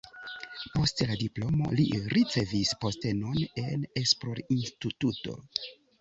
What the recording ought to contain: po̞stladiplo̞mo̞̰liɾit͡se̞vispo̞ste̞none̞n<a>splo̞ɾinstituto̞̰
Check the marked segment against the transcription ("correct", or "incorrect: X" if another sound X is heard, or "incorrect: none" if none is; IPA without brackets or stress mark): incorrect: e